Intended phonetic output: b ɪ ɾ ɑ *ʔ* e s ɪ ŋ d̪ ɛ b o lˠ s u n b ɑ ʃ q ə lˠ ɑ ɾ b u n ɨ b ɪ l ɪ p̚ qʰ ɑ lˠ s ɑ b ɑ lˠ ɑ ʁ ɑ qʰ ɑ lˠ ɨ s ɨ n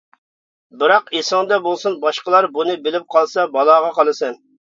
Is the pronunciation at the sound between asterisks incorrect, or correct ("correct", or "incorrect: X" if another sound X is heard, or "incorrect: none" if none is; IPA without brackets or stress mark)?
incorrect: q